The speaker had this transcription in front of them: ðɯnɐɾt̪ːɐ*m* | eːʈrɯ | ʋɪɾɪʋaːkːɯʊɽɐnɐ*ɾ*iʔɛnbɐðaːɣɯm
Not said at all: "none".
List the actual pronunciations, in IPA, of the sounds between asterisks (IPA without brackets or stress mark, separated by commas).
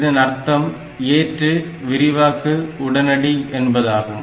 m, ɽ